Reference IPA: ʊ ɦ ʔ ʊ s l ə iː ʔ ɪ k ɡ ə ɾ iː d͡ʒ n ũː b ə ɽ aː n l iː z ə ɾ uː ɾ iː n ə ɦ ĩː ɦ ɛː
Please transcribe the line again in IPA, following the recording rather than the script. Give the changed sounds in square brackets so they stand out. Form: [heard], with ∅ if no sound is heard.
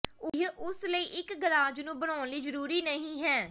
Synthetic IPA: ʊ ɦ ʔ ʊ s l ə iː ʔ ɪ k ɡ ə ɾ [aː] d͡ʒ n ũː b ə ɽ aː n l iː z ə ɾ uː ɾ iː n ə ɦ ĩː ɦ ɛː